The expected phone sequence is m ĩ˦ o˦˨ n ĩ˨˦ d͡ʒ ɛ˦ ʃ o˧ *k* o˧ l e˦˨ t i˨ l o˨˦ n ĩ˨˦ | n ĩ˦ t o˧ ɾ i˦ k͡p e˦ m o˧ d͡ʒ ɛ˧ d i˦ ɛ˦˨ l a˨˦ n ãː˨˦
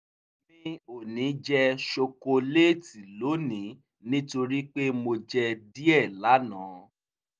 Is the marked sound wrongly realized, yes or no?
no